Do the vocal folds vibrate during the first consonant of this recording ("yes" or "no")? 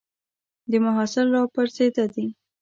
yes